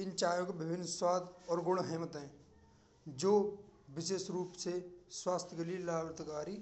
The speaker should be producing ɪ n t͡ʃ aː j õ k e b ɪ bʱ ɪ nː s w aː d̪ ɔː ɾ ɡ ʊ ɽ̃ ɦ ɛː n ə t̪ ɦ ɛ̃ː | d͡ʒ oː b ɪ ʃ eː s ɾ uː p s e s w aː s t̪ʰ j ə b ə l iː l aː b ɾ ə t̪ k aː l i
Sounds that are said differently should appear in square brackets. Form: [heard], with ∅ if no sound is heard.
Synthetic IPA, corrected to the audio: ɪ n t͡ʃ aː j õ k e b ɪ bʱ ɪ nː s w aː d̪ ɔː ɾ ɡ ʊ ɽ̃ ɦ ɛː [m] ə t̪ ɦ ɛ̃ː | d͡ʒ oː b ɪ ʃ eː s ɾ uː p s e s w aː s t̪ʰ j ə [ɡ] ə l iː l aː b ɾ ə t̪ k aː [ɾ] i